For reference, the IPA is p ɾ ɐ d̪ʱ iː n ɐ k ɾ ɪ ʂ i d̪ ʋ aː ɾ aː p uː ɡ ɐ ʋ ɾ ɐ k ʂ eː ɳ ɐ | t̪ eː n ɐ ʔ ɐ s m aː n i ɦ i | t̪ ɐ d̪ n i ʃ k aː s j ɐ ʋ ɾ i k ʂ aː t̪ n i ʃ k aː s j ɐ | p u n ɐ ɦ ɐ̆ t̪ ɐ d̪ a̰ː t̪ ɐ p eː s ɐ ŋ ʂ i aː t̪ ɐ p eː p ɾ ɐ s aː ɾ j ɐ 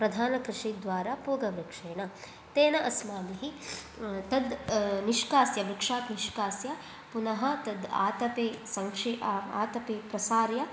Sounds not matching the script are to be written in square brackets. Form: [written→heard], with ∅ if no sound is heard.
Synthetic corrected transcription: p ɾ ɐ d̪ʱ [iː→aː] n ɐ k ɾ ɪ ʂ i d̪ ʋ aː ɾ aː p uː ɡ ɐ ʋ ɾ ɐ k ʂ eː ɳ ɐ | t̪ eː n ɐ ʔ ɐ s m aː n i ɦ i | t̪ ɐ d̪ n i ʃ k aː s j ɐ ʋ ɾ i k ʂ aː t̪ n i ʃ k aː s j ɐ | p u n ɐ ɦ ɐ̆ t̪ ɐ d̪ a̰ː t̪ ɐ p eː s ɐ ŋ ʂ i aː t̪ ɐ p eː p ɾ ɐ s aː ɾ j ɐ